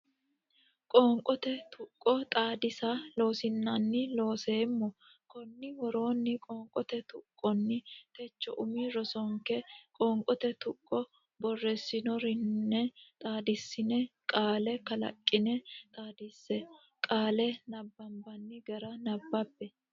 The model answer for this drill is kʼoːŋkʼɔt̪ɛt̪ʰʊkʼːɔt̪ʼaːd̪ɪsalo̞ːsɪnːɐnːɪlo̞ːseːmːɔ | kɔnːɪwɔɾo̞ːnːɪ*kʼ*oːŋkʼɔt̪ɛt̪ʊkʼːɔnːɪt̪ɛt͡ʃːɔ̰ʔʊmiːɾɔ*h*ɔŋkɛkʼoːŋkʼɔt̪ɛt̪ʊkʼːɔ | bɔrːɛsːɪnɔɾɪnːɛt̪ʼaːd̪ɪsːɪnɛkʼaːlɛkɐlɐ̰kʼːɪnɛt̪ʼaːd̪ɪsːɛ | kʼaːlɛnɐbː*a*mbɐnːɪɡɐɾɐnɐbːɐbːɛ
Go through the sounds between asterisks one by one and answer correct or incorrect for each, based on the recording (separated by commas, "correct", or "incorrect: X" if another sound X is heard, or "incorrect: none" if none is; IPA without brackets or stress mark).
correct, incorrect: s, incorrect: ɐ